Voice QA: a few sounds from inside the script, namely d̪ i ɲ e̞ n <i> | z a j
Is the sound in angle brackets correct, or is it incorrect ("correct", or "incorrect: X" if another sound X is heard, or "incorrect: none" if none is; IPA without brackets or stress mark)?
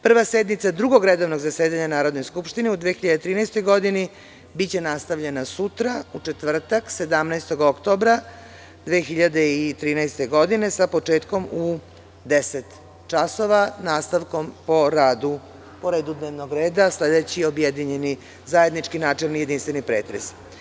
correct